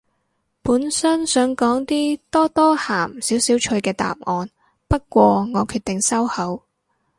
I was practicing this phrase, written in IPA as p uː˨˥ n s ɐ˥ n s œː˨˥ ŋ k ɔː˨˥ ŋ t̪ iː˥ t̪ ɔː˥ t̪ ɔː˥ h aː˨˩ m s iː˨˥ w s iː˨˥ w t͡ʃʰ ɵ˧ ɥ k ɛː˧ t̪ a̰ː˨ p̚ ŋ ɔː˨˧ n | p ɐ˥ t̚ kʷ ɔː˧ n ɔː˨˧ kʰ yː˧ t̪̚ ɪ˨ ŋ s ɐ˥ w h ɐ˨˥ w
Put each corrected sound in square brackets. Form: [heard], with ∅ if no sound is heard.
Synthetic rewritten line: p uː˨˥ n s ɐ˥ n s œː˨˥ ŋ k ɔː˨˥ ŋ t̪ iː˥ t̪ ɔː˥ t̪ ɔː˥ h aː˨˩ m s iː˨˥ w s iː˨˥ w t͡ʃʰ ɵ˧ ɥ k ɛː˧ t̪ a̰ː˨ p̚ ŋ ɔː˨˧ n | p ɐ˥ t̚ kʷ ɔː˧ [ŋ] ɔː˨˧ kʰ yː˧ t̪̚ ɪ˨ ŋ s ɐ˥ w h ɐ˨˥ w

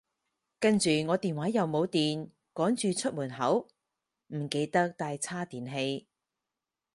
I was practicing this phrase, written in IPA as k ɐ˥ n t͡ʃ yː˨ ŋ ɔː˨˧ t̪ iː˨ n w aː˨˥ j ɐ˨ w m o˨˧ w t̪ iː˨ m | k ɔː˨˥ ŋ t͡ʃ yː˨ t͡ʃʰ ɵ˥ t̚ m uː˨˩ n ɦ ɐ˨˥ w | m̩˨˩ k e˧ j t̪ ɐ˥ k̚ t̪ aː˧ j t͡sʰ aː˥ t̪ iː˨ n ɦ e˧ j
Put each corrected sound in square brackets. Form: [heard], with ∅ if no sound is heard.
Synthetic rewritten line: k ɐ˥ n t͡ʃ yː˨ ŋ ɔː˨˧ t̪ iː˨ n w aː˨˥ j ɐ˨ w m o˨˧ w t̪ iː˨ [n] | k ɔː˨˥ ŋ t͡ʃ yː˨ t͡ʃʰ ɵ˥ t̚ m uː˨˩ n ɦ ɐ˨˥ w | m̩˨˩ k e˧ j t̪ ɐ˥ k̚ t̪ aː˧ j t͡sʰ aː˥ t̪ iː˨ n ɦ e˧ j

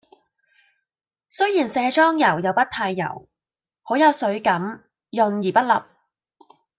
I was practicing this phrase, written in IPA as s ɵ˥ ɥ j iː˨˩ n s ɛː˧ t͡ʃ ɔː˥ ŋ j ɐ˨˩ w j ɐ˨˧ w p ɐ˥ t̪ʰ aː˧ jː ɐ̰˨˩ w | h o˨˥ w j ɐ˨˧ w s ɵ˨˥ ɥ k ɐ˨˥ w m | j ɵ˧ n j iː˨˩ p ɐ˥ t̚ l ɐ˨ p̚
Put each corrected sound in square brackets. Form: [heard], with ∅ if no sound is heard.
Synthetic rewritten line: s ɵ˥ ɥ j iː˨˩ n s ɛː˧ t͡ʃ ɔː˥ ŋ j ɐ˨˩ w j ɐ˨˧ w p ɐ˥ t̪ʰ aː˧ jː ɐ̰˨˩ w | h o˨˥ w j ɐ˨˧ w s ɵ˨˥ ɥ k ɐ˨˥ [∅] m | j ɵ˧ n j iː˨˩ p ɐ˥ t̚ l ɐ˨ p̚

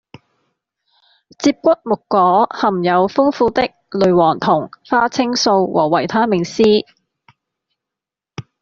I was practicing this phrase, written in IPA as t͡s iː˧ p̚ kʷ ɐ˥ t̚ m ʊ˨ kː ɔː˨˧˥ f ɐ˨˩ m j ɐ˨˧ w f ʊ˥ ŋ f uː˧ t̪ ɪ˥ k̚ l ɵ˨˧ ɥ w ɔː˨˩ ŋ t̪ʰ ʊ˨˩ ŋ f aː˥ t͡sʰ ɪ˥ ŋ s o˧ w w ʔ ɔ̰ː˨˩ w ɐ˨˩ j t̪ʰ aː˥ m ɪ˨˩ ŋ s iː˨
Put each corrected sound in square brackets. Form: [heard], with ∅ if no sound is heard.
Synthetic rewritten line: t͡s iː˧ p̚ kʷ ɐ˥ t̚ m ʊ˨ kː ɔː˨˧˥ [h] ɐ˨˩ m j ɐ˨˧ w f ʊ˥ ŋ f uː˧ t̪ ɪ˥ k̚ l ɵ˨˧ ɥ w ɔː˨˩ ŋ t̪ʰ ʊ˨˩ ŋ f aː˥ t͡sʰ ɪ˥ ŋ s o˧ w w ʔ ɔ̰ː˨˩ w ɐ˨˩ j t̪ʰ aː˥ m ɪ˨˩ ŋ s [iː˥]

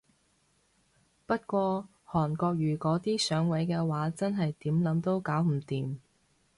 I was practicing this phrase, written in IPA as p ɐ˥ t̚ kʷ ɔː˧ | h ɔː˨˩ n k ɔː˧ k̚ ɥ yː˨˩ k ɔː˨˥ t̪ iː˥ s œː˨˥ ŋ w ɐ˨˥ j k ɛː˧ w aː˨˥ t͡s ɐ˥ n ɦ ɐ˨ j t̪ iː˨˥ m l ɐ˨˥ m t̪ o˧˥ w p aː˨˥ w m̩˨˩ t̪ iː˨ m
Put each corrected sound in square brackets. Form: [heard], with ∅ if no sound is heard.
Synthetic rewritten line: p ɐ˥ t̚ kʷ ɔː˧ | h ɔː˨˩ n k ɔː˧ k̚ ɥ yː˨˩ k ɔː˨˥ t̪ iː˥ s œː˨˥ ŋ w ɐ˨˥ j k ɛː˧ w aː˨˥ t͡s ɐ˥ n ɦ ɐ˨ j t̪ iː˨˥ m l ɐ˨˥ m t̪ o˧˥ w [k] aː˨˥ w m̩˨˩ t̪ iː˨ m

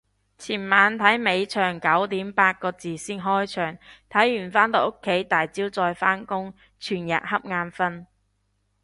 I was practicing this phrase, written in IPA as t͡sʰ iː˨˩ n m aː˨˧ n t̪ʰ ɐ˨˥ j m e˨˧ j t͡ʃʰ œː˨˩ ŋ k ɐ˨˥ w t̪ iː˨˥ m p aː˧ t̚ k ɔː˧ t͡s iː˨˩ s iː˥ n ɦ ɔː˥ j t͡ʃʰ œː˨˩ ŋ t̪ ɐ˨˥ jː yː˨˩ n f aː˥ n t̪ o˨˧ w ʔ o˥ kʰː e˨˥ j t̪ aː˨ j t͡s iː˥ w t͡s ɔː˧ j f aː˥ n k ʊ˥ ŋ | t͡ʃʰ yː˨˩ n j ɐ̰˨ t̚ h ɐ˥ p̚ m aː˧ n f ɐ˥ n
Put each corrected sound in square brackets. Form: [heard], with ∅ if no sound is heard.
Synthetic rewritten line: t͡sʰ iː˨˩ n m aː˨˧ n t̪ʰ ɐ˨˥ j m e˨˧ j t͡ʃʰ œː˨˩ ŋ k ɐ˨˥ w t̪ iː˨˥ m p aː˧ t̚ k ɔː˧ t͡s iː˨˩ s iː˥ n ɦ ɔː˥ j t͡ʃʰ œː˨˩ ŋ [t̪ʰ] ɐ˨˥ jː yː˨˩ n f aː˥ n t̪ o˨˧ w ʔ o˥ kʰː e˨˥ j t̪ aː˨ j t͡s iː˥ w t͡s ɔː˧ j f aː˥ n k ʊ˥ ŋ | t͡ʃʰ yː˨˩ n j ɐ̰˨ t̚ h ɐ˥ p̚ [ŋ] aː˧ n f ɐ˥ n

